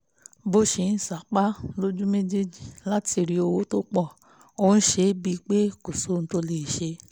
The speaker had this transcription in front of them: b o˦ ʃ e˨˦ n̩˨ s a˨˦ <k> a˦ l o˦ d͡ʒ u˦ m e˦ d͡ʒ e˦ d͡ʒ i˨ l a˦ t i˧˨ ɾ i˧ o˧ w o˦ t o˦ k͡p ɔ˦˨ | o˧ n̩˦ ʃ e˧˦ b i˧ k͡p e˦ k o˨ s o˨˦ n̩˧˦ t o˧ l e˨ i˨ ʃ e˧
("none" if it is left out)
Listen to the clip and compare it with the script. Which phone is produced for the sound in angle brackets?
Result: k͡p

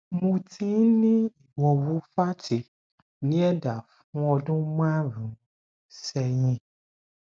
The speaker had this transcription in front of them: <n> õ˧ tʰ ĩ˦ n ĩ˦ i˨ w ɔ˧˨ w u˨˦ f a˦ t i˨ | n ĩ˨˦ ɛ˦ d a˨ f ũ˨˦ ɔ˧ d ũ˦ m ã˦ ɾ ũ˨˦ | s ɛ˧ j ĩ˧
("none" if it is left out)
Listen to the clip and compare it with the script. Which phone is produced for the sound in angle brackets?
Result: m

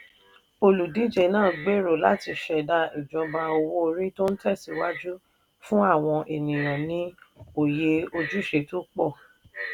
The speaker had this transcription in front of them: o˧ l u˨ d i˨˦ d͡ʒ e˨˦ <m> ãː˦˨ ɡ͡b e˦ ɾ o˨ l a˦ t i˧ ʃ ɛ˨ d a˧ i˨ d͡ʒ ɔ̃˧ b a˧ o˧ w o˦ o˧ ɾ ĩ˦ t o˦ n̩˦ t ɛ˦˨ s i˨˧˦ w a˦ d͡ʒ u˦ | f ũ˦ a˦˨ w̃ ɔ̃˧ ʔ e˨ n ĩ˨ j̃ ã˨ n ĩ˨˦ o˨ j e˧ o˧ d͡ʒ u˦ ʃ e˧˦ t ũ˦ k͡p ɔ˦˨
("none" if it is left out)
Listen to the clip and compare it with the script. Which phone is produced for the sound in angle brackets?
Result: n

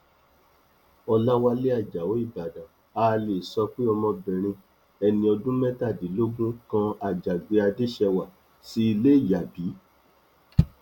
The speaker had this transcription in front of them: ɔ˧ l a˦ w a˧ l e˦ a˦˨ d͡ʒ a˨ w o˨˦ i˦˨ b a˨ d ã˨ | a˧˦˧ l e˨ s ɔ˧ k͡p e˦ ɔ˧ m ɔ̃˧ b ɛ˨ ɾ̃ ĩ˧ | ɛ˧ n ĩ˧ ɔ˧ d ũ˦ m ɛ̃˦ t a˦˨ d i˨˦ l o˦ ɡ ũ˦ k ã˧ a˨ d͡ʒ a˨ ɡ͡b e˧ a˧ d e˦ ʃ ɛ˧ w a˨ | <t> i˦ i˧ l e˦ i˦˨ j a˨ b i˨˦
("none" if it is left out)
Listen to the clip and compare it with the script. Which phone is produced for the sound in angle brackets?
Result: s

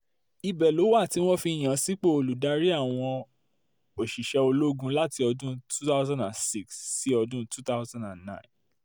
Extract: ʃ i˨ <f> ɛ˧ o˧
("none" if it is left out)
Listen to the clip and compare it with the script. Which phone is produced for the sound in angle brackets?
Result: ʃ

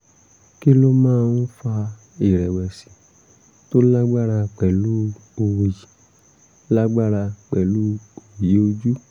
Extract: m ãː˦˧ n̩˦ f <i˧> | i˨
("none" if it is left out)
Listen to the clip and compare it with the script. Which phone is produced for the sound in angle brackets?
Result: a˧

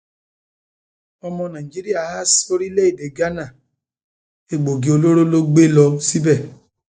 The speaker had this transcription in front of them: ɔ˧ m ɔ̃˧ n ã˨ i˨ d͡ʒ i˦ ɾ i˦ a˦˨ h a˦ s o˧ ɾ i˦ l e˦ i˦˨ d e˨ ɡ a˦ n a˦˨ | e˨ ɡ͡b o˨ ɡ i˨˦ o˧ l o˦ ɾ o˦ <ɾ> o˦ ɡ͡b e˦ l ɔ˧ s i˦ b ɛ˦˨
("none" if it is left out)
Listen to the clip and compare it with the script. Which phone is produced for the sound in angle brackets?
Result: l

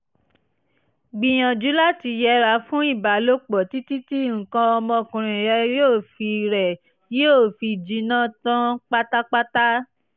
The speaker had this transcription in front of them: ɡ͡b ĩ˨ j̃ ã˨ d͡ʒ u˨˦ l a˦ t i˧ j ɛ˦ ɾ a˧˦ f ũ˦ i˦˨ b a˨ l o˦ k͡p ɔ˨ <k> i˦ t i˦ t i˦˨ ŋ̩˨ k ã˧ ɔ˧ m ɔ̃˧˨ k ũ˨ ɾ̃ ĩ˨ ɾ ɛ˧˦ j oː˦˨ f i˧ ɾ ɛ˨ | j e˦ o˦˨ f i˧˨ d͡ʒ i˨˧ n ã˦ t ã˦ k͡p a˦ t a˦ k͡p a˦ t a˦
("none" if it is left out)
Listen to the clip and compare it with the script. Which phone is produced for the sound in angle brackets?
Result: t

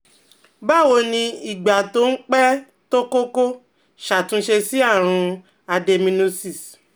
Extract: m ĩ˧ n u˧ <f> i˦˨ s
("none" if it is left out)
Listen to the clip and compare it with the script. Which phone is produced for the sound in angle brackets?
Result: s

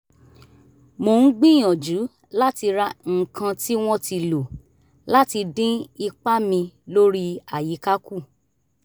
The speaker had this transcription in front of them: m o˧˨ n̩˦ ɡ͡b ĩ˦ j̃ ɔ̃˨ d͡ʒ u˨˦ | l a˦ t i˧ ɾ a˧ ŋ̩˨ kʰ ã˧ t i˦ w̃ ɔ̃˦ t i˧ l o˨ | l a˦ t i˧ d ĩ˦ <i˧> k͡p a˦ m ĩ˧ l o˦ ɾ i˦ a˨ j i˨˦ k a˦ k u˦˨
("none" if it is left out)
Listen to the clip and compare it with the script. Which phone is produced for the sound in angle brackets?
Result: i˧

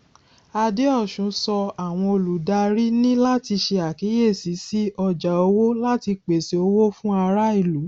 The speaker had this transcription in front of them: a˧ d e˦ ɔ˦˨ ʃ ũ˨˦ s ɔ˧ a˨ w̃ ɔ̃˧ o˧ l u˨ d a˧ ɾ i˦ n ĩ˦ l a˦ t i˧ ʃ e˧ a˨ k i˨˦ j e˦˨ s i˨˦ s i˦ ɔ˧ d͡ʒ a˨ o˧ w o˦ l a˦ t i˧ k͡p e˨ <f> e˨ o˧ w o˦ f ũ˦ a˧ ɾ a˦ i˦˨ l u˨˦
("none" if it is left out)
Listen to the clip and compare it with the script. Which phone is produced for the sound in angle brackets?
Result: s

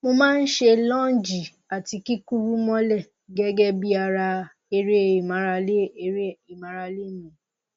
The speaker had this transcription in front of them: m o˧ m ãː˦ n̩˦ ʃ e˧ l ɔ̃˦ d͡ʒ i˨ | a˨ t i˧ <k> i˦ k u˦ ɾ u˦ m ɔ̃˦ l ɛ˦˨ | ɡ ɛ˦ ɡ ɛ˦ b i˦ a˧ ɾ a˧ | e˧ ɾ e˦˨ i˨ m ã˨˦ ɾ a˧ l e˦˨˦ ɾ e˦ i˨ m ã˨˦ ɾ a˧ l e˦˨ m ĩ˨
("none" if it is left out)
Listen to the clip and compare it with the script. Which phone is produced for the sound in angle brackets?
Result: k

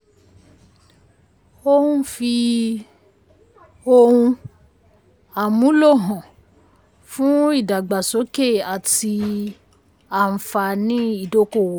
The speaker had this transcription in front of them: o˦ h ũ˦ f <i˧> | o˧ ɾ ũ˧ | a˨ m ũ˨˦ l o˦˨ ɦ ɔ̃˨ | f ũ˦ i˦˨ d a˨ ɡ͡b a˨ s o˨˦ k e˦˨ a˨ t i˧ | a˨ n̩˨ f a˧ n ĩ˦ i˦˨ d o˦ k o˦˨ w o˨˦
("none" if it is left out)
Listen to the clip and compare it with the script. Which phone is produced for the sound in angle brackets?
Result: i˧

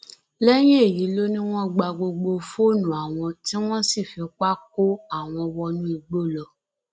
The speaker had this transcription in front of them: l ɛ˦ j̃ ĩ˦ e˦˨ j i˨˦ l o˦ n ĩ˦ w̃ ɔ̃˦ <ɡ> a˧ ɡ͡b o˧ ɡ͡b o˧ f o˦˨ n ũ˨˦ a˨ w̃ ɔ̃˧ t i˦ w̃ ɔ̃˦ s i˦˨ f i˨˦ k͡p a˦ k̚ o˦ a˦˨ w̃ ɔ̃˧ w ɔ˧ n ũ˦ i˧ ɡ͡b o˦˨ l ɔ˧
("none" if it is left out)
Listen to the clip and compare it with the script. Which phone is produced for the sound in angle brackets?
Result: ɡ͡b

